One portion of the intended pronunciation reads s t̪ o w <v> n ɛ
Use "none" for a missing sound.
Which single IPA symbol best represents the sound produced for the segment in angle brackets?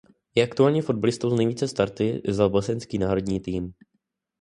z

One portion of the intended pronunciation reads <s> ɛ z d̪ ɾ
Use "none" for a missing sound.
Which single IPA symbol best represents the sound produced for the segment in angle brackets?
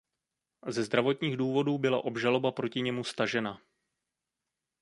z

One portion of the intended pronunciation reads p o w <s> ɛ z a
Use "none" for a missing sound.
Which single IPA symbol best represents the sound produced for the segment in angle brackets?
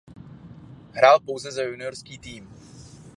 z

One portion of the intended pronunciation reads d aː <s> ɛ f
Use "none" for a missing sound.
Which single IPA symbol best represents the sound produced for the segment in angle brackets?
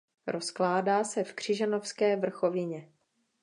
s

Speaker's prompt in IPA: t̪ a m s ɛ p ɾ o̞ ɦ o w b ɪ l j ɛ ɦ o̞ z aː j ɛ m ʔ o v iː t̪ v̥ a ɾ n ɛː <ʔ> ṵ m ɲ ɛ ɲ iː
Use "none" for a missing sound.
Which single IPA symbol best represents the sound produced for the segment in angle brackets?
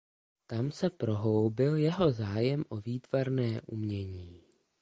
ʔ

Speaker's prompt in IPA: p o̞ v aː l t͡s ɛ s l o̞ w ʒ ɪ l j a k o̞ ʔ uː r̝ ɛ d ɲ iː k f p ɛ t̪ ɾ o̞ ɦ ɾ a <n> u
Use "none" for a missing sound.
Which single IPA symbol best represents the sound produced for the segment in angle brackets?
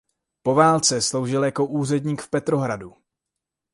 d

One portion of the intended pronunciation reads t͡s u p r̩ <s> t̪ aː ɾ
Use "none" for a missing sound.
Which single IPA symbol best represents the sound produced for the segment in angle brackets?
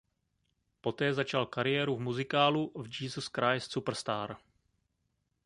s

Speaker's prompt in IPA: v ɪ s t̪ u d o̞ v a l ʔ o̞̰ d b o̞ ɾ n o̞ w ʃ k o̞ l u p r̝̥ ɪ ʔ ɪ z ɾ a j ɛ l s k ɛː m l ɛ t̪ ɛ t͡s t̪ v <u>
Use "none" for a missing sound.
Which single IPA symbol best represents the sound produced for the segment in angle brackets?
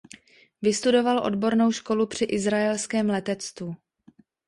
u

